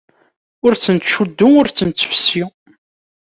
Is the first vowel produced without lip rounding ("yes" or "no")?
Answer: no